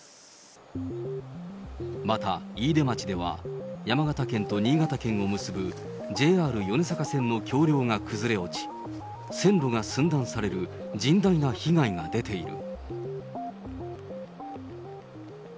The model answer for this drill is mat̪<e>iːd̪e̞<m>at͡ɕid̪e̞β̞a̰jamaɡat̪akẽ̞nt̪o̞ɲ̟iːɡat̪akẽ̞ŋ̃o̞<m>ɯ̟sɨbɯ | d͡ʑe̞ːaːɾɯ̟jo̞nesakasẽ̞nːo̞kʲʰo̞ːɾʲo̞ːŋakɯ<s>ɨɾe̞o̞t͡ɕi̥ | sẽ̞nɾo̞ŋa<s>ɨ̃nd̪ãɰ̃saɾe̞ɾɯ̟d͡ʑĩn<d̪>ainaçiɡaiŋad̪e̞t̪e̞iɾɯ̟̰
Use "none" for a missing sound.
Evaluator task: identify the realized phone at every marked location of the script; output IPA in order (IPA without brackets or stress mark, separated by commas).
a, m, m, z, s, d̪